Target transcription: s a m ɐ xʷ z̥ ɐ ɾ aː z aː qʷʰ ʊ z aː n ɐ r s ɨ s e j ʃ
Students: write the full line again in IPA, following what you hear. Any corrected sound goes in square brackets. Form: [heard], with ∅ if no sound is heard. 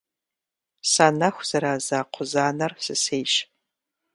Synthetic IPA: s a [n] ɐ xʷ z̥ ɐ ɾ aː z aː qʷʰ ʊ z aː n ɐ r s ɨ s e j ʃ